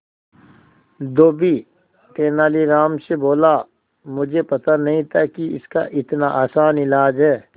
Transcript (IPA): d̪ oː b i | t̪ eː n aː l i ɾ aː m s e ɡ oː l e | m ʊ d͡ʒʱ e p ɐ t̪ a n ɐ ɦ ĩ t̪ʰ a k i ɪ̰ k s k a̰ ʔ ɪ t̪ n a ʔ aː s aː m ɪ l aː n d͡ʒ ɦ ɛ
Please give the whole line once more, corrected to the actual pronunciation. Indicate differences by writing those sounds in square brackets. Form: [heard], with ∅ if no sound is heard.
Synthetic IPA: d̪ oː b i | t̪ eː n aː l i ɾ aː m s e [b] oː l [a] | m ʊ d͡ʒʱ e p ɐ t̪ a n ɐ ɦ ĩ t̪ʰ a k i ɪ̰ [∅] s k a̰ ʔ ɪ t̪ n a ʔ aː s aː [n] ɪ l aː [∅] d͡ʒ ɦ [ɛː]